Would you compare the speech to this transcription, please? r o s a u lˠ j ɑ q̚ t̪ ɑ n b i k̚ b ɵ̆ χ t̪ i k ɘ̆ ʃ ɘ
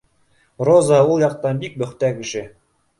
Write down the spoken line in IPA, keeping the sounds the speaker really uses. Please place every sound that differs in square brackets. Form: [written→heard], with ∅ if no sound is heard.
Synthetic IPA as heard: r o [s→z] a u lˠ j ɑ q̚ t̪ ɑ n b i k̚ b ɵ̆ χ t̪ [i→æ] k ɘ̆ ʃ ɘ